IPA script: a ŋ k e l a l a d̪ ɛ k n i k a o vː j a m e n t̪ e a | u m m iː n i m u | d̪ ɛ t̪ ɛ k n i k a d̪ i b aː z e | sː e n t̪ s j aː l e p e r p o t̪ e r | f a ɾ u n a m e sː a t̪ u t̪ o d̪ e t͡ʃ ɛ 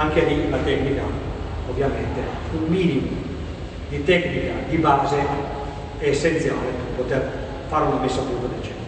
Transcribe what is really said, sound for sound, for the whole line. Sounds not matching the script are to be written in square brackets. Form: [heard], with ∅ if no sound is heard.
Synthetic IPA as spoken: a ŋ k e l [i] l a [t̪] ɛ k n i k a o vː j a m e n t̪ e a | u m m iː n i m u | d̪ [i] t̪ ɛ k n i k a d̪ i b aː z e | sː e n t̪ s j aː l e p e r p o t̪ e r | f a ɾ u n a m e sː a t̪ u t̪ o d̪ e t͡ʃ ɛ